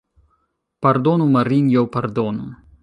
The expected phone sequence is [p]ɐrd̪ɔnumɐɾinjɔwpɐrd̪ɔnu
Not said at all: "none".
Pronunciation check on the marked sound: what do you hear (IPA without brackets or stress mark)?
p